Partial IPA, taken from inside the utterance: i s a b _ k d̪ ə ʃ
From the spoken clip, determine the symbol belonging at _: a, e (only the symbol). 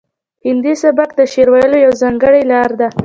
a